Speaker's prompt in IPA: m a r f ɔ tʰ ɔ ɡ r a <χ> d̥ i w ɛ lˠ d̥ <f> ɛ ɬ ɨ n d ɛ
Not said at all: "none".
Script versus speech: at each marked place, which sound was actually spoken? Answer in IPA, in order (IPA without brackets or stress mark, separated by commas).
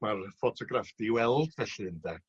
f, v